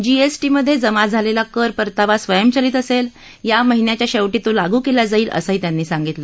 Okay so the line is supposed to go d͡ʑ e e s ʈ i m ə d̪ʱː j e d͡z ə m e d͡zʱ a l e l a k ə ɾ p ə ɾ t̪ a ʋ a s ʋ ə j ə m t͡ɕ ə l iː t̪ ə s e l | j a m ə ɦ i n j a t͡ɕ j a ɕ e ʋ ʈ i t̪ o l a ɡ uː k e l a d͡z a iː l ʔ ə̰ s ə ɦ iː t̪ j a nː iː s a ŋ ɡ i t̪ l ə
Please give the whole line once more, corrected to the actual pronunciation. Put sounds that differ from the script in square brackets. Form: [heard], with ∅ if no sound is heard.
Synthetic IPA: d͡ʑ [i] e s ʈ i m ə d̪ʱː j e d͡z ə m [a] d͡zʱ a l e l a k ə ɾ p ə ɾ t̪ a ʋ a s ʋ ə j ə m t͡ɕ ə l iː t̪ ə s e l | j a m ə ɦ i n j a t͡ɕ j a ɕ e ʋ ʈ i t̪ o l a ɡ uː k e l a d͡z a iː l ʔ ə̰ s ə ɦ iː t̪ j a nː iː s a ŋ ɡ i t̪ l ə